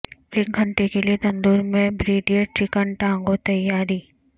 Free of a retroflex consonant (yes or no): no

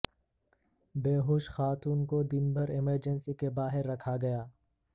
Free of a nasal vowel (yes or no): yes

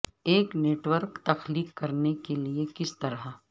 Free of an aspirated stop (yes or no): yes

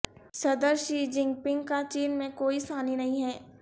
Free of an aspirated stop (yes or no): yes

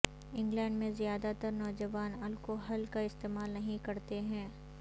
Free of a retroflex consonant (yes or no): no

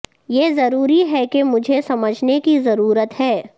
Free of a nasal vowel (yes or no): yes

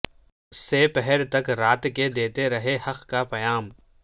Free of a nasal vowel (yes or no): yes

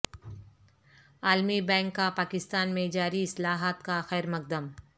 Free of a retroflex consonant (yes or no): yes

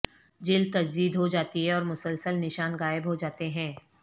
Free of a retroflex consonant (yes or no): yes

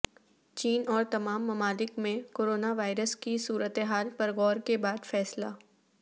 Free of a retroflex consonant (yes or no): yes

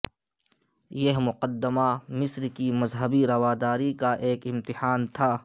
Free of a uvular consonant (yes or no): no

